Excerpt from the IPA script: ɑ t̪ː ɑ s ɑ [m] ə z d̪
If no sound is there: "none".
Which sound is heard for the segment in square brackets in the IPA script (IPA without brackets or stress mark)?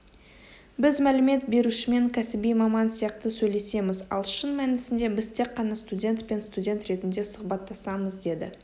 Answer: m